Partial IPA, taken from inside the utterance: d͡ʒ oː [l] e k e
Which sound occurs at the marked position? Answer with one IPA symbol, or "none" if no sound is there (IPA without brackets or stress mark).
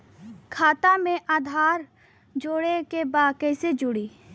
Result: ɽ